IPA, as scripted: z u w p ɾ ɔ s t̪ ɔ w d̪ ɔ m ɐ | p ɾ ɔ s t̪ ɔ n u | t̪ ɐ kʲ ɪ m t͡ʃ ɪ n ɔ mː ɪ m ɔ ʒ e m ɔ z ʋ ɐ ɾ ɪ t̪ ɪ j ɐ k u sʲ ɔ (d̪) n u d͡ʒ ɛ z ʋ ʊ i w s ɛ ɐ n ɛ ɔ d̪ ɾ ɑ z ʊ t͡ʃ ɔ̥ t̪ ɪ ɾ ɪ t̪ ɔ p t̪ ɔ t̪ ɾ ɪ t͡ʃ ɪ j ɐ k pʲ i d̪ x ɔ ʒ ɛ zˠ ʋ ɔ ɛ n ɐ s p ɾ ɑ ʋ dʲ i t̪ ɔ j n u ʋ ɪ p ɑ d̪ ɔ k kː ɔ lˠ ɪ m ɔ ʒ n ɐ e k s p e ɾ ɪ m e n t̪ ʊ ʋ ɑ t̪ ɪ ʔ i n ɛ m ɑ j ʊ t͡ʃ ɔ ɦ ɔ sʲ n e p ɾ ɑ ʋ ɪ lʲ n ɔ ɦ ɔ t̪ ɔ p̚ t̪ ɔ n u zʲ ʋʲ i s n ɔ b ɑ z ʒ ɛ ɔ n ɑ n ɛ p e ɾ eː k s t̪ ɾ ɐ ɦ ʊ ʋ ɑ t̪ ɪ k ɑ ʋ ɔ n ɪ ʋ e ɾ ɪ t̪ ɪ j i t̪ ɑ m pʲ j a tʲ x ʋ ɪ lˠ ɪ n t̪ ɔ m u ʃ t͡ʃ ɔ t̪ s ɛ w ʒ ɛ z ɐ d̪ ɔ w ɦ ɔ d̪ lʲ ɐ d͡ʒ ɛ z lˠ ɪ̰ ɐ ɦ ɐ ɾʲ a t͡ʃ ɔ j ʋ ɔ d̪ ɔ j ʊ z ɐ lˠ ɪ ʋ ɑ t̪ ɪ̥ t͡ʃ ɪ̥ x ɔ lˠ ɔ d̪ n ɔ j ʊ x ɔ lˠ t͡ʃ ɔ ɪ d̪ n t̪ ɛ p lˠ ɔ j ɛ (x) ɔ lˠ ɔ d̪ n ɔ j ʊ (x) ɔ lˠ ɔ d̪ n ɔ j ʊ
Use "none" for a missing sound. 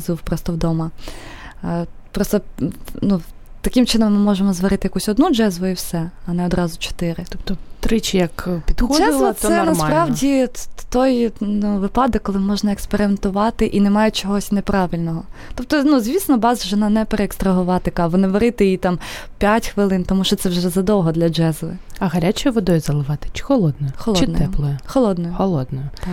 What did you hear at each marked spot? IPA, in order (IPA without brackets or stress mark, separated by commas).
d̪, x, x